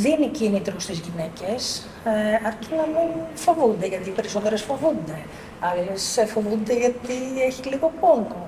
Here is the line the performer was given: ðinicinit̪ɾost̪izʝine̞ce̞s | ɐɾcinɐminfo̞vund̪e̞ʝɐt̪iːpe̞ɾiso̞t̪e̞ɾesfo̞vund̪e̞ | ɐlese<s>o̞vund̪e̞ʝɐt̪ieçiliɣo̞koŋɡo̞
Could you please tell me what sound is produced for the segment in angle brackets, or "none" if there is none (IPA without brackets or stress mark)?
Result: f